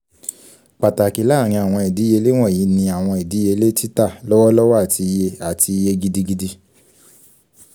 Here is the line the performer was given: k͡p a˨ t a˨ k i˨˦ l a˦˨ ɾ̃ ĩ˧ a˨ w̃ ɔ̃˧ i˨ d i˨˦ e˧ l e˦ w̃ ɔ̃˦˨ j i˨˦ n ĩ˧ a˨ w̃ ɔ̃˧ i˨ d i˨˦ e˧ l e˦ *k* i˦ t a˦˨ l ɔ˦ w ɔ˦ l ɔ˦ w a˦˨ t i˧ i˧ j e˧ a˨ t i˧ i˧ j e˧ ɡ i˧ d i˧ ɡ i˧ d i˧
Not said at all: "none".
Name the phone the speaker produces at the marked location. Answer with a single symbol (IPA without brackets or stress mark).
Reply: t